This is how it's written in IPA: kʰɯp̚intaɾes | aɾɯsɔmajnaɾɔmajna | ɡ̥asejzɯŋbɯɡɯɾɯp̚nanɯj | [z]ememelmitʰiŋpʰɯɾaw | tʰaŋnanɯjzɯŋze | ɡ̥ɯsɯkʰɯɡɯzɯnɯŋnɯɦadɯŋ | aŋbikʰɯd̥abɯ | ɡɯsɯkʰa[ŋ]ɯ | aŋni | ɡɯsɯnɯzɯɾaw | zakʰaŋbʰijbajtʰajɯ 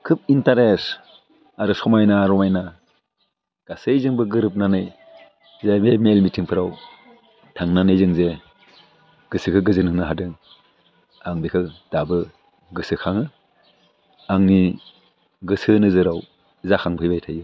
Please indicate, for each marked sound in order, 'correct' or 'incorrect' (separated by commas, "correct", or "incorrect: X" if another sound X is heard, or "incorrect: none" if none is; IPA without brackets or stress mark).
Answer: correct, correct